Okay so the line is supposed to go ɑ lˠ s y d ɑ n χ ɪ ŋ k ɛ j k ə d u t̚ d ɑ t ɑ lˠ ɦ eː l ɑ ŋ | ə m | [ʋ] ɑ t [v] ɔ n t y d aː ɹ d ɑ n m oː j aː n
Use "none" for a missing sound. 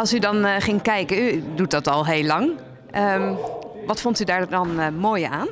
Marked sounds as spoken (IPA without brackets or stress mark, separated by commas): ʋ, f